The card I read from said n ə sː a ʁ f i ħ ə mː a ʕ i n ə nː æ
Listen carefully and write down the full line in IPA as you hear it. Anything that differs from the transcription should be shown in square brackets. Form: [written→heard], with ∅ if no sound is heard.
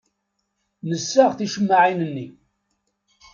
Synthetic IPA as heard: n ə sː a ʁ [f→θ] i [ħ→ʃ] ə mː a ʕ i n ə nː [æ→i]